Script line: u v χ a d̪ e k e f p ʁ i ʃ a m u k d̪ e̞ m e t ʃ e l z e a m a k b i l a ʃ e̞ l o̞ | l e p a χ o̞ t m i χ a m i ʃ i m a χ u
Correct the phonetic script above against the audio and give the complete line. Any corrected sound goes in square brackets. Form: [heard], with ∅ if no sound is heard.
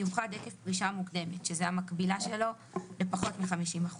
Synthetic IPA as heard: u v χ a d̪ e k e f p ʁ i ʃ a m u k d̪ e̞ m e t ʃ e [∅] z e a m a k b i l a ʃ e̞ l o̞ | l e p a χ o̞ t m i χ a m i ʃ i m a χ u